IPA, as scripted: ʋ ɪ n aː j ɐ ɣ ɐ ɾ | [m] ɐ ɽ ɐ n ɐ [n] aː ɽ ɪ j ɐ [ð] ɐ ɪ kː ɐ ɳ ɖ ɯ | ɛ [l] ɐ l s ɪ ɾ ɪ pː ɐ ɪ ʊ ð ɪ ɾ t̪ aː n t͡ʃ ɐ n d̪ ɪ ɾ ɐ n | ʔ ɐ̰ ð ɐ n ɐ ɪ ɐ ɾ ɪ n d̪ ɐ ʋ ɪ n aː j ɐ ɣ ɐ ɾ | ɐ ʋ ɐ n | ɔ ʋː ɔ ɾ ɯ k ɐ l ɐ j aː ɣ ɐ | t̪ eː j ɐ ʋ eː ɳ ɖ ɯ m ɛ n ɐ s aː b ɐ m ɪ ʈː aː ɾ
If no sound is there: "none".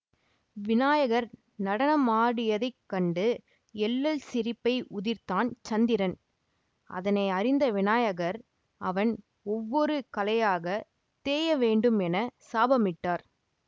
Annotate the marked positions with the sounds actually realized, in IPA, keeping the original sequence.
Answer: n, m, ð, lː

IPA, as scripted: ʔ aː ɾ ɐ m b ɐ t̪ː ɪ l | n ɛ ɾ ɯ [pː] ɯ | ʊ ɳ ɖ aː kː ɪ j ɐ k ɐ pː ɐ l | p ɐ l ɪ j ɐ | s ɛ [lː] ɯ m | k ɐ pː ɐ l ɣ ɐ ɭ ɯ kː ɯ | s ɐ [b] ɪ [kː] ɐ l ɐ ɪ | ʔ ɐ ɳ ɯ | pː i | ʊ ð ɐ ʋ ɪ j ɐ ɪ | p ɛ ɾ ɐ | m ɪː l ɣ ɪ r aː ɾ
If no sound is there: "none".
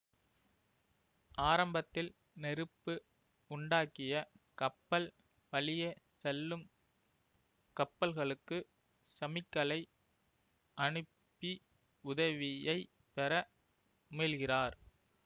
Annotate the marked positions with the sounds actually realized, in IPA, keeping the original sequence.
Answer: pː, lː, m, kː

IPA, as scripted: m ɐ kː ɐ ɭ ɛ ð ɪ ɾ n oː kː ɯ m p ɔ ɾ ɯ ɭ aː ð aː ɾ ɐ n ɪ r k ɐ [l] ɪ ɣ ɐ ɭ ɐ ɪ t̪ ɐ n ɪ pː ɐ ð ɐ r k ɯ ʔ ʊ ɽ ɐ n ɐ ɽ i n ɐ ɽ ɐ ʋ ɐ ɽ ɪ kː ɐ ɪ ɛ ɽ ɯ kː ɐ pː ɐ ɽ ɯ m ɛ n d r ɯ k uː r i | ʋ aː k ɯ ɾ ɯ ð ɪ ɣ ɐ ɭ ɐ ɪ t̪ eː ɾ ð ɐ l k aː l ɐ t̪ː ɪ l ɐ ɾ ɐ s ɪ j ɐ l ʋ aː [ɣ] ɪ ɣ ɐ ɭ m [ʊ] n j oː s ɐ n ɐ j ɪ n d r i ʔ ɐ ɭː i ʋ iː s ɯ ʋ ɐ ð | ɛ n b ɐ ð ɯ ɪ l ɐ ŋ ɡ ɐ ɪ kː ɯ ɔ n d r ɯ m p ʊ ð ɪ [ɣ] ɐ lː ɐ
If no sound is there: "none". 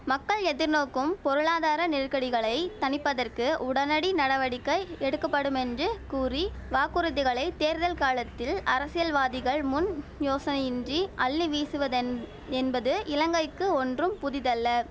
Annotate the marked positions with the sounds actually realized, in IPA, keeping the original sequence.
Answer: ɽ, ð, ʊ, ð

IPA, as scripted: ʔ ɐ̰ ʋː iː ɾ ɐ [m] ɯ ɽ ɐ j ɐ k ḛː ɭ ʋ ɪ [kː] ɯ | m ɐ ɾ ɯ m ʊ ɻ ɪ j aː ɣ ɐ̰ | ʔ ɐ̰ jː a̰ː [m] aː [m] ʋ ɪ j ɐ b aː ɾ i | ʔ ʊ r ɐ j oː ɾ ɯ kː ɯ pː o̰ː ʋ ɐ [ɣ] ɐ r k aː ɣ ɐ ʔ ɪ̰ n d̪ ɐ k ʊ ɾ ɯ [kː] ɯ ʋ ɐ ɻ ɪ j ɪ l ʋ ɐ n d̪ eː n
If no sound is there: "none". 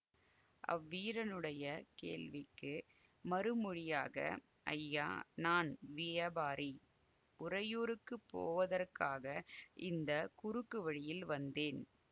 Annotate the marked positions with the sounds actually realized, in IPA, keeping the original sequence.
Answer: n, kː, n, n, ð, kː

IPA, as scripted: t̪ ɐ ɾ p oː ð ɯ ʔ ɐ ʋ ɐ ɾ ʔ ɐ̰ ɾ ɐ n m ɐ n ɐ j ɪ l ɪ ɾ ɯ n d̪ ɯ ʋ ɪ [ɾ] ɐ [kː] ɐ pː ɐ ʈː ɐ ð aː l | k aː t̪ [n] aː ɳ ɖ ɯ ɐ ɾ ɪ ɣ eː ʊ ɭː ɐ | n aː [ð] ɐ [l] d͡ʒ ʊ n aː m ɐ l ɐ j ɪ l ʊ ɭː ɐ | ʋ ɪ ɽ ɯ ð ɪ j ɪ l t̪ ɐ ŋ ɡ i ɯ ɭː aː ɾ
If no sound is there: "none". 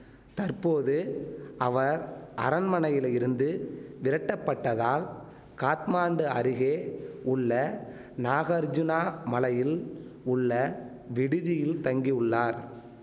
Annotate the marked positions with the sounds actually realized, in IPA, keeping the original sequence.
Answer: ɾ, ʈː, m, ɣ, ɾ

